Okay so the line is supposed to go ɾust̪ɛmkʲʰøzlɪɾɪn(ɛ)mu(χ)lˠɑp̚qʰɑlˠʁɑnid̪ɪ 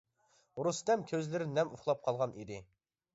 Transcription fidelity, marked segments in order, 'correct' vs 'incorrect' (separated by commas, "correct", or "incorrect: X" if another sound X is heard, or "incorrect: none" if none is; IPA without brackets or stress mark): correct, correct